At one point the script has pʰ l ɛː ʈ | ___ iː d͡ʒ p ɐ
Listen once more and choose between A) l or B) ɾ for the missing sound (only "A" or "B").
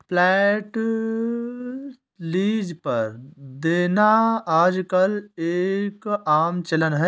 A